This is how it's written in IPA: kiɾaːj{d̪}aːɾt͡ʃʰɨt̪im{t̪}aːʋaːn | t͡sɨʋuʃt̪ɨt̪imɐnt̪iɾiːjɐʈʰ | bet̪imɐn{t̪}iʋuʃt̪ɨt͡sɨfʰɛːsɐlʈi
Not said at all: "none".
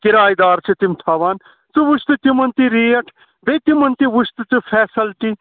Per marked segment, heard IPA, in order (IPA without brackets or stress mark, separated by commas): d̪, t̪ʰ, t̪